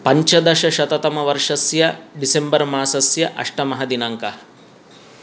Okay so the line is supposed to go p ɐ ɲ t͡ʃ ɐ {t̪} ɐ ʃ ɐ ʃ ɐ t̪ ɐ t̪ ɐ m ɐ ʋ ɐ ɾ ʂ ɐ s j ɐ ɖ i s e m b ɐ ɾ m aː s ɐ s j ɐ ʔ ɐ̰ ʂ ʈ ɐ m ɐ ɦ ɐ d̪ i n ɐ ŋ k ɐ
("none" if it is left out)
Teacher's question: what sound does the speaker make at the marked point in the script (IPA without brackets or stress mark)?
d̪